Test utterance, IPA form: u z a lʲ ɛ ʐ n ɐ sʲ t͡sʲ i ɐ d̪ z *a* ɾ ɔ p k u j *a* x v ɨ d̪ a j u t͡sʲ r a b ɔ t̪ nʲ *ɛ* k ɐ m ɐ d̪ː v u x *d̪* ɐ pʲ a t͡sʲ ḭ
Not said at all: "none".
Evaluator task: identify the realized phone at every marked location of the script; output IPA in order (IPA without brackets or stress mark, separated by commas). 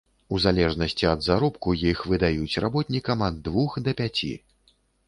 a, i, i, d̪